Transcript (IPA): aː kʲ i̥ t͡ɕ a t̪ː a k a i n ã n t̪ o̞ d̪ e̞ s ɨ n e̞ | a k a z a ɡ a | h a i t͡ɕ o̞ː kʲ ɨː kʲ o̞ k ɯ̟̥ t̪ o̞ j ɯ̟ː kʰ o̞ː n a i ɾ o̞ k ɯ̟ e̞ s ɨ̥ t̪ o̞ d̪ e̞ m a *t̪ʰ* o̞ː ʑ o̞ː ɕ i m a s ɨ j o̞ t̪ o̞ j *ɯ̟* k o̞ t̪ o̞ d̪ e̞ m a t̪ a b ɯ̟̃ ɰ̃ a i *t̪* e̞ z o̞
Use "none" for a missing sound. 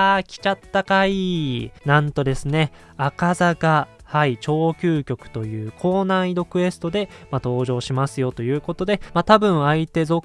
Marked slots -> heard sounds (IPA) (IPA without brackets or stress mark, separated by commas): t̪, ɯ̟ː, t̪